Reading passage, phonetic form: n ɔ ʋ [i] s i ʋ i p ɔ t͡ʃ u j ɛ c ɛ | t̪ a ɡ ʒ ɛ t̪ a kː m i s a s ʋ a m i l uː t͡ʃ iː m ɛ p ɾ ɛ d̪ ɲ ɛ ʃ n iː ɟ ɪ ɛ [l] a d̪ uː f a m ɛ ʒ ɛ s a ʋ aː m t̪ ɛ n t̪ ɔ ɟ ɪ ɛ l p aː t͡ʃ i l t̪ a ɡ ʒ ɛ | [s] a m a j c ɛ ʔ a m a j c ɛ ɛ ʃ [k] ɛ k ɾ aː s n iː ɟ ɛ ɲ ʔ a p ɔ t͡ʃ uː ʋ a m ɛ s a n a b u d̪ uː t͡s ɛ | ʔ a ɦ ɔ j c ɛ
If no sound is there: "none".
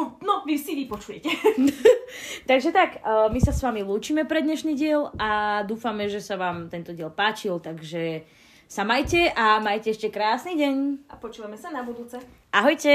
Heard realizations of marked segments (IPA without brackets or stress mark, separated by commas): i, l, s, c